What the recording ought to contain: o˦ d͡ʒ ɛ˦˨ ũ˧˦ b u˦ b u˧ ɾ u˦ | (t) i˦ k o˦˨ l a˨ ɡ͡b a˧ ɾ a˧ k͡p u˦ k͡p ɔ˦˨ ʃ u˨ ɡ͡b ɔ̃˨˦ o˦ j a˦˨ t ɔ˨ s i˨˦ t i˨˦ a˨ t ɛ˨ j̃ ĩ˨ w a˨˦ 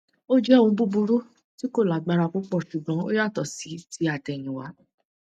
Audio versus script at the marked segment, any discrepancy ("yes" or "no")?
no